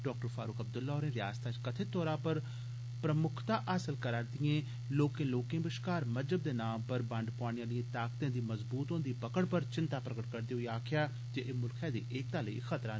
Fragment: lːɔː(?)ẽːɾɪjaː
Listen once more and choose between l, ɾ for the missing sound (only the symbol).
ɾ